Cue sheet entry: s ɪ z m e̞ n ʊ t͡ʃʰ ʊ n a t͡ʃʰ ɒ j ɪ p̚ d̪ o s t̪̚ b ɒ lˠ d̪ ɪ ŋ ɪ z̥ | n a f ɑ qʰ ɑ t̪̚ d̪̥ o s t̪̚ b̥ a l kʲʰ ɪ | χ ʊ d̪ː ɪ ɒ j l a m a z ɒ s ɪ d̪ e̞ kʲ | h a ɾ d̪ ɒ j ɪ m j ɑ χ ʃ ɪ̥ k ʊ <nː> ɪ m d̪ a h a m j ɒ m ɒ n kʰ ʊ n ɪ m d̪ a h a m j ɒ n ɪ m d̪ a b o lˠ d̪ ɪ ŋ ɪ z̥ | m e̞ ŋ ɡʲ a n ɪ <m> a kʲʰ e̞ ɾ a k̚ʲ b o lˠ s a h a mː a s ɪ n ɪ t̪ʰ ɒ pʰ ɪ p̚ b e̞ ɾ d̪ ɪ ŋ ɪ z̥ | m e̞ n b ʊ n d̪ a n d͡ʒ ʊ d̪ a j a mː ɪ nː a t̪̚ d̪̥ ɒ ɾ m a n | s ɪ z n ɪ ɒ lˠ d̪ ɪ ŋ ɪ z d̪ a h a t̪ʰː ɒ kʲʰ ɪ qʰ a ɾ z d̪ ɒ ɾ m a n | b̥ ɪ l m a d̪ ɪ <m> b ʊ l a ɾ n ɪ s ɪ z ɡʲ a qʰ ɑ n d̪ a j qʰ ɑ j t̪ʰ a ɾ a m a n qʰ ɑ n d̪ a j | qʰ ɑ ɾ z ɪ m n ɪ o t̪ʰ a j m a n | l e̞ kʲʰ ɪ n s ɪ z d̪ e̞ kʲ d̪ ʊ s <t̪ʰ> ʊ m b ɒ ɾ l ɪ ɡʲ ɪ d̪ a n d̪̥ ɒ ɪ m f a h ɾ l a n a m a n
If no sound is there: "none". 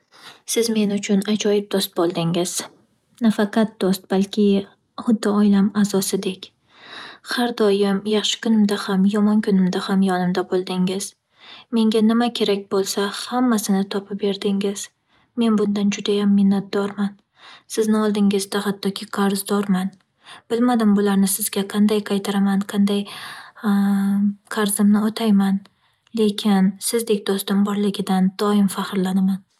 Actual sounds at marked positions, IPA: n, m, m, t̪

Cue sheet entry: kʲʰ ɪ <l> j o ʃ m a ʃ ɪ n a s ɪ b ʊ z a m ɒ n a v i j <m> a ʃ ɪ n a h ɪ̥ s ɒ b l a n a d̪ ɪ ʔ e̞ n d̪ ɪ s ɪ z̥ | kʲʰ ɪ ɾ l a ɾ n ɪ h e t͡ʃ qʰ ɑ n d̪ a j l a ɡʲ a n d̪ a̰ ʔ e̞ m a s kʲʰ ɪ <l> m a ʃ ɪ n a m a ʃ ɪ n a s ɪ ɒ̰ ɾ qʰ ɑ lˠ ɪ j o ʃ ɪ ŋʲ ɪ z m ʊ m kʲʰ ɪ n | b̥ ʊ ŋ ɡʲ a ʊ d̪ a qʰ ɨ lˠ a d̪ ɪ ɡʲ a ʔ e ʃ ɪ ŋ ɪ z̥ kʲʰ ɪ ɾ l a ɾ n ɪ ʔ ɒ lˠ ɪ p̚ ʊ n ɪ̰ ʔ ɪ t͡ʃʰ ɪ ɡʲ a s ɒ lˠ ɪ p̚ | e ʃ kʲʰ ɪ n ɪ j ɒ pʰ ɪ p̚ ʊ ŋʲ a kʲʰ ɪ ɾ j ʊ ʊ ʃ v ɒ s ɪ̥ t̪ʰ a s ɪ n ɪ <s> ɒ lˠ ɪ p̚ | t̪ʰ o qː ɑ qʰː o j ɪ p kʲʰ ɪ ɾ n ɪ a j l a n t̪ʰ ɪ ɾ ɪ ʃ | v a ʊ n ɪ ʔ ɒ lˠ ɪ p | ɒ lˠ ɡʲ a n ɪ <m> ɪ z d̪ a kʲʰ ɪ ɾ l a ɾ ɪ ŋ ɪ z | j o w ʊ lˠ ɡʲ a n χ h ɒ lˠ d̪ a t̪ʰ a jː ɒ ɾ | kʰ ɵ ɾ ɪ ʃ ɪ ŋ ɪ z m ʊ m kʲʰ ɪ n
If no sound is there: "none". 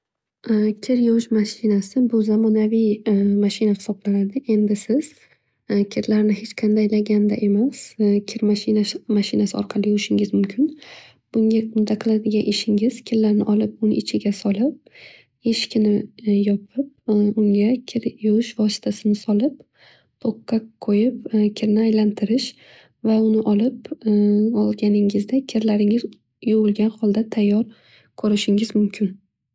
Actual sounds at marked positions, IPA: ɾ, m, ɾ, s, ŋ

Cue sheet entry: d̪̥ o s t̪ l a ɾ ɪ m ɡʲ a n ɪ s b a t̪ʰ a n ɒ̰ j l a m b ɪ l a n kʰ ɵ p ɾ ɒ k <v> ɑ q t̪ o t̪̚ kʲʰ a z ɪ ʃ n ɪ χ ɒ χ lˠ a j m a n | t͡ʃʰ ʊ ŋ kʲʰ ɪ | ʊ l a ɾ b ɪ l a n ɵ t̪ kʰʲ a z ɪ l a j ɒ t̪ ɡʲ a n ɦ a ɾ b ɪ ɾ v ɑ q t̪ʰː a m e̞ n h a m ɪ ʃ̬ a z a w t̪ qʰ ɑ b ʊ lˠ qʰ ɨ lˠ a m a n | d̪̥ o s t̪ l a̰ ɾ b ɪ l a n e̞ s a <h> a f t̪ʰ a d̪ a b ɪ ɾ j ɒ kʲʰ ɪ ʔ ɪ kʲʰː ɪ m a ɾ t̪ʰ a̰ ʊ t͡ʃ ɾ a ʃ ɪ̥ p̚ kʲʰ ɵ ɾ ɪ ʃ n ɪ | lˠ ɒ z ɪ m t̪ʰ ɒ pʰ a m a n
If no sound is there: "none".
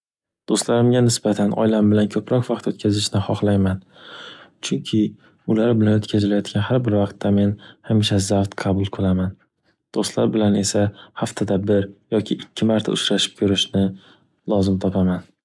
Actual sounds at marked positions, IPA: v, h

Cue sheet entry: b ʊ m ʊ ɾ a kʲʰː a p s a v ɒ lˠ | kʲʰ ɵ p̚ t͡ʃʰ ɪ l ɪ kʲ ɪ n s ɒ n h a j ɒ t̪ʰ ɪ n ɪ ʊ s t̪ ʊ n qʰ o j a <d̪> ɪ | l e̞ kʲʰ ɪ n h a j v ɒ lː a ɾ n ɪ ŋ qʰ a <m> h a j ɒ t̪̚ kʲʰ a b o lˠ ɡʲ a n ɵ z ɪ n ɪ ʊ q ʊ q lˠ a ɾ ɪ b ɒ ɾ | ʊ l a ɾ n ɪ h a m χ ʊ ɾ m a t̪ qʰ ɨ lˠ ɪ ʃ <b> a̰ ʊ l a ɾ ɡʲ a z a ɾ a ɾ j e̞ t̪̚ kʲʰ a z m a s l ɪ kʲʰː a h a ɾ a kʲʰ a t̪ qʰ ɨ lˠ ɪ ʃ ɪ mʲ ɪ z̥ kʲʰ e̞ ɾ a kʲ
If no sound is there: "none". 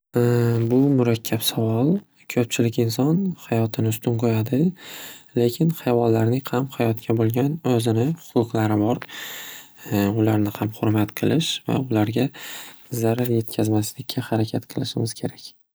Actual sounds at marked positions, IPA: d̪, m, v

